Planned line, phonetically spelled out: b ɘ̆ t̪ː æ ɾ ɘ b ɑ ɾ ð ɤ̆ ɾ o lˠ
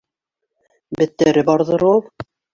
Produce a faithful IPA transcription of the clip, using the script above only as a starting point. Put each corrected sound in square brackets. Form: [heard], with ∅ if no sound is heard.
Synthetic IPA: b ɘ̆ t̪ː æ ɾ ɘ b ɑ ɾ ð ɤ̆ ɾ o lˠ